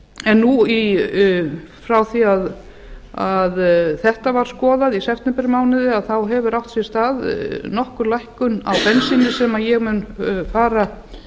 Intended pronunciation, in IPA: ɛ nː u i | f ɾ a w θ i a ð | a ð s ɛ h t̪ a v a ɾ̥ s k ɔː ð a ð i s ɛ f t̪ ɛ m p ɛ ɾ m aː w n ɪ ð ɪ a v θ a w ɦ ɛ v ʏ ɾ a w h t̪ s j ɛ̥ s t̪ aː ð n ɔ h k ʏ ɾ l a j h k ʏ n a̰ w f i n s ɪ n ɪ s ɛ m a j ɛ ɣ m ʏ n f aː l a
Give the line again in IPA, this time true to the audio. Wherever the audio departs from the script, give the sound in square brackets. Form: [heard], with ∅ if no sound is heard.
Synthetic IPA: ɛ nː u i | f ɾ a w θ i a ð | a ð [θ] ɛ h t̪ a v a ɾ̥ s k ɔː ð a ð i s ɛ f t̪ ɛ m p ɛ ɾ m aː w n ɪ ð ɪ a [ð] θ a w ɦ ɛ v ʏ ɾ a w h t̪ s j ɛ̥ s t̪ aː ð n ɔ h k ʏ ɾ l a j h k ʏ n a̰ w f [ɛ] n s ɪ n ɪ s ɛ m a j ɛ ɣ m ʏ n f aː [ɾ] a